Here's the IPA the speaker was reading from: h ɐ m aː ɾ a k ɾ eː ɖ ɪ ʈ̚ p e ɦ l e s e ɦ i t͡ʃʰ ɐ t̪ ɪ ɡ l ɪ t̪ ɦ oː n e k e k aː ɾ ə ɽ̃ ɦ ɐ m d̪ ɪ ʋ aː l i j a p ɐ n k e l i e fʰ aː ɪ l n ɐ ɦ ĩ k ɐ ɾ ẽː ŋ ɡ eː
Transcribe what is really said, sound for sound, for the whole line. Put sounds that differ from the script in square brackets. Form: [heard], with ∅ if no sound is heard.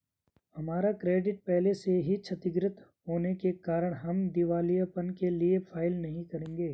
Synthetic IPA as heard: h ɐ m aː ɾ a k ɾ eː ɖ ɪ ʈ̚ p [ɛ] ɦ l e s e ɦ i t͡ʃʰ ɐ t̪ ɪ ɡ [ɾ] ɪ t̪ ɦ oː n e k e k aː ɾ ə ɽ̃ ɦ ɐ m d̪ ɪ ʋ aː l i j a p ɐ n k e l i e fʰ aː ɪ l n ɐ ɦ ĩ k ɐ ɾ ẽː ŋ ɡ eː